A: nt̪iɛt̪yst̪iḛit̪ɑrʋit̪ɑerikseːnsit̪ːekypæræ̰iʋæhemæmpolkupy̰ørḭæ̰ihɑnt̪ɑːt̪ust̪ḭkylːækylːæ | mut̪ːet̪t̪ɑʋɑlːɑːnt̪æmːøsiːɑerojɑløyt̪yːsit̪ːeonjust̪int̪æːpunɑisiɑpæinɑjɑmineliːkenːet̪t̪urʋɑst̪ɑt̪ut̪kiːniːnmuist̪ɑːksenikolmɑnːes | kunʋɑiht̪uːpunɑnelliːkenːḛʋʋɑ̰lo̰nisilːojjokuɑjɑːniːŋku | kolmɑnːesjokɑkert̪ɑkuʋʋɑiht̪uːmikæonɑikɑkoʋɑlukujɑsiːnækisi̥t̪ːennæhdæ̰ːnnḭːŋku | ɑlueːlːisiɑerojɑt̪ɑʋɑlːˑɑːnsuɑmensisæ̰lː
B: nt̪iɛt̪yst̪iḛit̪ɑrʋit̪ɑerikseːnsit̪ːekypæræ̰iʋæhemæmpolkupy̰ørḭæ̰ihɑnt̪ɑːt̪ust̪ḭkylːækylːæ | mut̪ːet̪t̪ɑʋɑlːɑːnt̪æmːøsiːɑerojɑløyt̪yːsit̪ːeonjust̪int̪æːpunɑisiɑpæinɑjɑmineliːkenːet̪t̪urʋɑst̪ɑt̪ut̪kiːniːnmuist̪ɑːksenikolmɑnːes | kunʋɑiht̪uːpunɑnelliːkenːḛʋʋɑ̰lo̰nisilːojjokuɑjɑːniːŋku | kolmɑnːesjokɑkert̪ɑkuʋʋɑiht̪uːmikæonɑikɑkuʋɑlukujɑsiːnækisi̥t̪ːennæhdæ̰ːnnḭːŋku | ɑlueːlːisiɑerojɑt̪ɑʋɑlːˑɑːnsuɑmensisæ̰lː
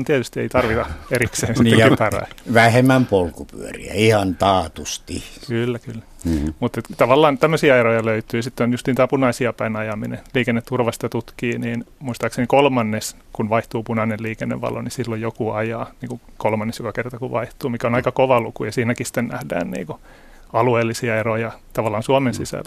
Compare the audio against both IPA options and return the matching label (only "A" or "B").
A